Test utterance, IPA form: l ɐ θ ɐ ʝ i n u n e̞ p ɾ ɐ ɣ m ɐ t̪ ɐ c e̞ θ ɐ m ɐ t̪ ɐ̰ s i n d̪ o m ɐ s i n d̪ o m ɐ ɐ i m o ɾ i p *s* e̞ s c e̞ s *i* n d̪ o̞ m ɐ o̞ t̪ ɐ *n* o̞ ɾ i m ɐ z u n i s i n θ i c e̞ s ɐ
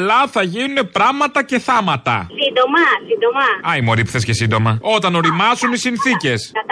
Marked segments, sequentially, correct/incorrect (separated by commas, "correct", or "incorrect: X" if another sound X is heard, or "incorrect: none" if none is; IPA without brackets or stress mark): incorrect: θ, correct, correct